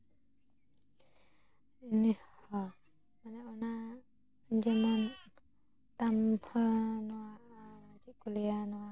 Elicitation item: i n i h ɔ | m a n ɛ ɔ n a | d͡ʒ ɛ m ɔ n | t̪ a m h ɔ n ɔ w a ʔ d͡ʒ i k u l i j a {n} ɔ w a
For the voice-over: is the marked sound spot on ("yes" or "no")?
yes